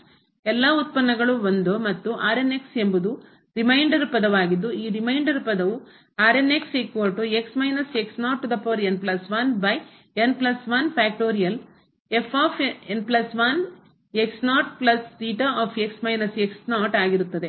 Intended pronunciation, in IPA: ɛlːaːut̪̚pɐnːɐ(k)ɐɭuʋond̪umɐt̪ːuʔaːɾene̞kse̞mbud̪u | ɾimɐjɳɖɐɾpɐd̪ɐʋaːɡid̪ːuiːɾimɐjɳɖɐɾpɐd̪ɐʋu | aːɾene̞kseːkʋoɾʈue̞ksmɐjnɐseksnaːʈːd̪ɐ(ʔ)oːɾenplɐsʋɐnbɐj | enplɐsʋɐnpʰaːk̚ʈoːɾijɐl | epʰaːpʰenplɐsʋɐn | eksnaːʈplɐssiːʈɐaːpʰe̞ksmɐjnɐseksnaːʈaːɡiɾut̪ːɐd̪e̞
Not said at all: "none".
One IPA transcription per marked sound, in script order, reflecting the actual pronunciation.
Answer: ɡ, p

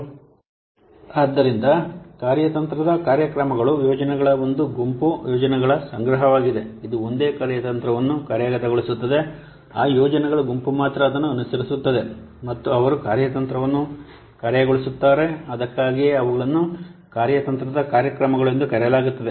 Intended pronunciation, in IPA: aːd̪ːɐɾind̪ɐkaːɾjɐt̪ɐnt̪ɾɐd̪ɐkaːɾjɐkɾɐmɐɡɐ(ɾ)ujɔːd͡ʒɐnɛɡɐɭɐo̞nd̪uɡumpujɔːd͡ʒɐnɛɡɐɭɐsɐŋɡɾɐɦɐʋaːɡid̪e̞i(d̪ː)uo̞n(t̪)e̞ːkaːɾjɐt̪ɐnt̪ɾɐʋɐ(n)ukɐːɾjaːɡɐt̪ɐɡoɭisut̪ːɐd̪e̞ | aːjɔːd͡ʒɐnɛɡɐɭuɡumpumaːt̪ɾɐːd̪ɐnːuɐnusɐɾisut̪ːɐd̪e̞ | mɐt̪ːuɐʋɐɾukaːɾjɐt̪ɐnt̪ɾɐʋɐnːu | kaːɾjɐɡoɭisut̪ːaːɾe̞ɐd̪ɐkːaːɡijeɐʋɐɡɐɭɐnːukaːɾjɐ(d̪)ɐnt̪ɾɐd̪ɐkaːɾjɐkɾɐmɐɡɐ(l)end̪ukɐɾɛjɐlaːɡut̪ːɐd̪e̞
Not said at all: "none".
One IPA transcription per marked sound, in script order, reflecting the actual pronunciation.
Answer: ɭ, d̪, d̪, nː, t̪, ɭ

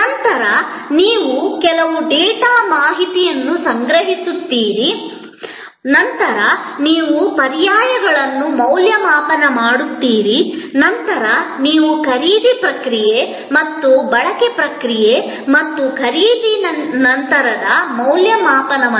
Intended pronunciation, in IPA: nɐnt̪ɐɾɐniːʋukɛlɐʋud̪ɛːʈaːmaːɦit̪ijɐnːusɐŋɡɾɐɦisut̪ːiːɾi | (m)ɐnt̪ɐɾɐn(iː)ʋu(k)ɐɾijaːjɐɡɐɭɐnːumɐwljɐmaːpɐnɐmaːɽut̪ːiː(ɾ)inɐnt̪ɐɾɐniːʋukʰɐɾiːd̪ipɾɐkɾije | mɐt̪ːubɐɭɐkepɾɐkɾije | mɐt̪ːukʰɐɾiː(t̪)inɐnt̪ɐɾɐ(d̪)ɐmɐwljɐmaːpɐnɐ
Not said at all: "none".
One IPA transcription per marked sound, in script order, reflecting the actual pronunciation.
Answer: n, iː, p, ɾ, d̪, d̪

